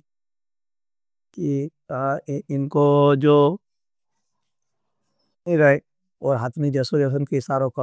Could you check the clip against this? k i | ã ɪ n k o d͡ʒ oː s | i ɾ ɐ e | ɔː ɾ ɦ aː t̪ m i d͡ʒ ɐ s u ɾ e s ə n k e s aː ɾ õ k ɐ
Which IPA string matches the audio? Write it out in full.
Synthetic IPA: k i | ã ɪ n k o d͡ʒ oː | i ɾ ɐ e | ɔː ɾ ɦ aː t̪ m i d͡ʒ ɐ s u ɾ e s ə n k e s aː ɾ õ k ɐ